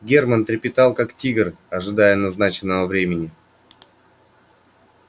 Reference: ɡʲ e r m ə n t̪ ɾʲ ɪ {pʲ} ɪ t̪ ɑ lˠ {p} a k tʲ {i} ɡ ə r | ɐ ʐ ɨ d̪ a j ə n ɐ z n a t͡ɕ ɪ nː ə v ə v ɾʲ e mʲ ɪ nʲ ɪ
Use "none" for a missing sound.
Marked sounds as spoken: pʲ, k, i

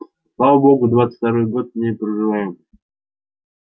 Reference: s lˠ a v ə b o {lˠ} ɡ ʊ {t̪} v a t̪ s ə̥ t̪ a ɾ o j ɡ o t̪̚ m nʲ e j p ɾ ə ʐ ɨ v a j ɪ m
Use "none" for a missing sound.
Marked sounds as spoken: none, d̪

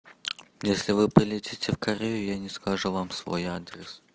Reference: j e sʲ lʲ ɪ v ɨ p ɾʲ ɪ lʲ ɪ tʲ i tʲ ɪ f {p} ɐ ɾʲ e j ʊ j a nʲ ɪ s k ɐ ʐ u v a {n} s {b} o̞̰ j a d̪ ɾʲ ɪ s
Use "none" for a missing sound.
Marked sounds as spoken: k, m, v

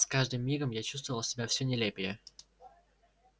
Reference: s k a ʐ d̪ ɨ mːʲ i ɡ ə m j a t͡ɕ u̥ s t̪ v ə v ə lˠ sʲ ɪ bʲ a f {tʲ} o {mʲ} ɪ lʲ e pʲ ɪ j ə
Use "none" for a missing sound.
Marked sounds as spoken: sʲ, nʲ

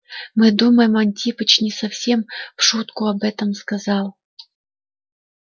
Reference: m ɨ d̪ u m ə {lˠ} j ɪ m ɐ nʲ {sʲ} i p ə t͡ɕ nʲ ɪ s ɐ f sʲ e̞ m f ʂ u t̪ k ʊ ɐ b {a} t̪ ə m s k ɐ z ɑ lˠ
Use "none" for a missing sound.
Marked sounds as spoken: none, tʲ, ɛ

